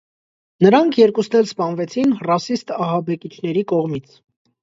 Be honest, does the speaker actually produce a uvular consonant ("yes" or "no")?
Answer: yes